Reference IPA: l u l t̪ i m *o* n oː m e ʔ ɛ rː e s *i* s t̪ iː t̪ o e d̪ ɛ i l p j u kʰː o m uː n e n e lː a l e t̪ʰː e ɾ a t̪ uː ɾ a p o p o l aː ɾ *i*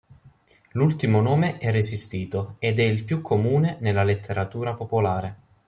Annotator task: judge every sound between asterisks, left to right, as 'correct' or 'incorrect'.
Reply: correct, correct, incorrect: e

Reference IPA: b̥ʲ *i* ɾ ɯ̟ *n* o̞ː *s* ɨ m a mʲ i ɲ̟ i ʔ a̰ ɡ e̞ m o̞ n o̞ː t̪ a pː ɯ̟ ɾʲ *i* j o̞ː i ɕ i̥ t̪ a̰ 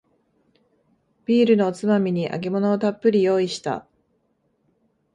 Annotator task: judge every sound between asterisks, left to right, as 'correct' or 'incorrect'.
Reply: incorrect: iː, correct, incorrect: t͡s, correct

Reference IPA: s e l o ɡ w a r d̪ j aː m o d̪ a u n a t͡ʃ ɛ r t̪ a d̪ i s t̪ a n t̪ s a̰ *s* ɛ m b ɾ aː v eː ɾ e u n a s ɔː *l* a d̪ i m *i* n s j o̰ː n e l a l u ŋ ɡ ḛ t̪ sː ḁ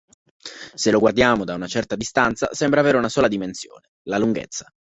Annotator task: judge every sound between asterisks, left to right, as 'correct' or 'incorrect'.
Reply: correct, correct, incorrect: e

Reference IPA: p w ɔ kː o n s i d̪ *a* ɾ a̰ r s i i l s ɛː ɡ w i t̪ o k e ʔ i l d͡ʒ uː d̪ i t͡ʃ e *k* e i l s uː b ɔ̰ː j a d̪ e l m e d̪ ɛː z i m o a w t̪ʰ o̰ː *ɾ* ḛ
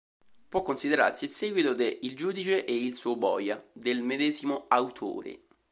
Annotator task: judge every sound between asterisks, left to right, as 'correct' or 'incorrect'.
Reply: incorrect: e, incorrect: ʔ, correct

